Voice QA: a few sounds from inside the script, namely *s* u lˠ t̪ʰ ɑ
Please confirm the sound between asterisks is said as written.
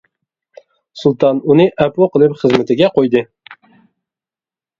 yes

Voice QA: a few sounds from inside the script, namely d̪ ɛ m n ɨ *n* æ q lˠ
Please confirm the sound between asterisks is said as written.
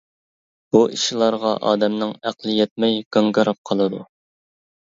no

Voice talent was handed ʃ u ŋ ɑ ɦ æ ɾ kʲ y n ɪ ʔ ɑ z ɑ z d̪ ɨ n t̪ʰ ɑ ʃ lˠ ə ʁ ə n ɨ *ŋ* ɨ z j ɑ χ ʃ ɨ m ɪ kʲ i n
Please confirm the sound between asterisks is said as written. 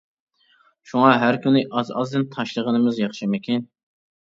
no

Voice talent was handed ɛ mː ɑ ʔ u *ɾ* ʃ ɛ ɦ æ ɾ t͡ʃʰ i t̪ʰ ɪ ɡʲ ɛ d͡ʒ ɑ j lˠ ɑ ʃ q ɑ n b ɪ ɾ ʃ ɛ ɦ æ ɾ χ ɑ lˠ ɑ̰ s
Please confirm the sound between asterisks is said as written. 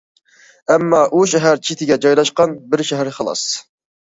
no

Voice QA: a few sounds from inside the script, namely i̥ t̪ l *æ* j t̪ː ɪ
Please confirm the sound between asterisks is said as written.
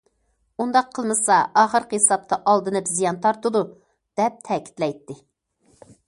no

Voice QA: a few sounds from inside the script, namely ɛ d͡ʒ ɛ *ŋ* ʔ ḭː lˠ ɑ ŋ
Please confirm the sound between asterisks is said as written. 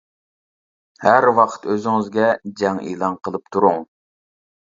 yes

